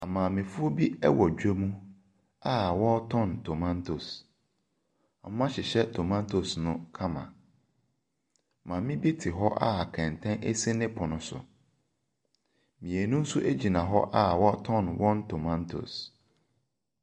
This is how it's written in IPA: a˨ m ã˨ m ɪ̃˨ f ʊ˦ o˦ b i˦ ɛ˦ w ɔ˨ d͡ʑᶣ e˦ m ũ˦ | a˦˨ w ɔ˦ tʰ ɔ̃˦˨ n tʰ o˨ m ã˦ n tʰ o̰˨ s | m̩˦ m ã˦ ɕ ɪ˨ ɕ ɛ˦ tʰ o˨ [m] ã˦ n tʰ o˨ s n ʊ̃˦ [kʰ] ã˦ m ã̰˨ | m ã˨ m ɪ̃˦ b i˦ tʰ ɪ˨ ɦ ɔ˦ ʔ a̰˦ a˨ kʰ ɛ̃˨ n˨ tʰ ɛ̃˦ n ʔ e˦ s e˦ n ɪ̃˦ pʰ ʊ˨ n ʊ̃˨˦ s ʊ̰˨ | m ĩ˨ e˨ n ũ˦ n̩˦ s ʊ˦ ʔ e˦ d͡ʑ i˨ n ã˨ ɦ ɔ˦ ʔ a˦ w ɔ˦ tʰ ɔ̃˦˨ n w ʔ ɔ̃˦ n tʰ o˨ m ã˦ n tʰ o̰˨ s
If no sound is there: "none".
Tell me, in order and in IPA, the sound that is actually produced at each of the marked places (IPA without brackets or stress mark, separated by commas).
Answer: m, kʰ